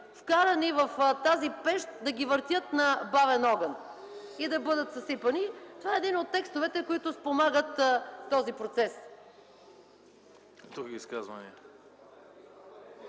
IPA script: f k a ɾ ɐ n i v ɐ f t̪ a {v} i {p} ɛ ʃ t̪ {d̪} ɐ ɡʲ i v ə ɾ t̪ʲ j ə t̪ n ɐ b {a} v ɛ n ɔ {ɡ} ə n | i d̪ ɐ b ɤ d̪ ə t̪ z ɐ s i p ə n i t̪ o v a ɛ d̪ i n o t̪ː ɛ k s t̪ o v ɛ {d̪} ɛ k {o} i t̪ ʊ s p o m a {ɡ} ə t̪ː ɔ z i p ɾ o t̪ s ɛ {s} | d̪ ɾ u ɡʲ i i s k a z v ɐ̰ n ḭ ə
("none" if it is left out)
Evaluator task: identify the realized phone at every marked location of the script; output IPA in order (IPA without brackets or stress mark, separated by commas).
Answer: z, p, d̪, a, ɡ, t̪, o, ɡ, s